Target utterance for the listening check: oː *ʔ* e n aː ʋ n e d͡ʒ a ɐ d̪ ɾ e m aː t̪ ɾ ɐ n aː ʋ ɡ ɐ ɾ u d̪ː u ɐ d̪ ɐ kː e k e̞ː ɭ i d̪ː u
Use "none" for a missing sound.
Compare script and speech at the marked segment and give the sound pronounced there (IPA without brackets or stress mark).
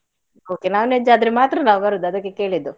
k